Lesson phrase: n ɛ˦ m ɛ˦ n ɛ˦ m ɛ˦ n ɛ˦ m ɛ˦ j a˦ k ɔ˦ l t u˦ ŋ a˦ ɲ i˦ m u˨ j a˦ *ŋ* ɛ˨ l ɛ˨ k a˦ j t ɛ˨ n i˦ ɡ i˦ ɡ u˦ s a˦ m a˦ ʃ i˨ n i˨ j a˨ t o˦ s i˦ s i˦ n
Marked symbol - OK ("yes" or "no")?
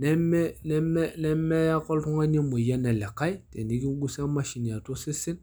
no